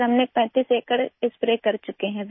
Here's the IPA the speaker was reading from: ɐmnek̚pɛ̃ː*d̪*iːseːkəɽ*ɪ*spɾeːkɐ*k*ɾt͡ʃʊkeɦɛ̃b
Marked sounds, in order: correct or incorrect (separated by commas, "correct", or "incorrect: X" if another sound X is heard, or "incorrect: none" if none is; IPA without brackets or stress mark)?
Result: incorrect: t̪, correct, incorrect: none